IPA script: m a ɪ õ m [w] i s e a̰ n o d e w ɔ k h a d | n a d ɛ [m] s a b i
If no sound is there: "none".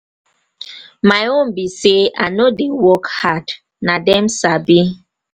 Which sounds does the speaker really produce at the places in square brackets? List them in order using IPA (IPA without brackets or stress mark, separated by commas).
b, m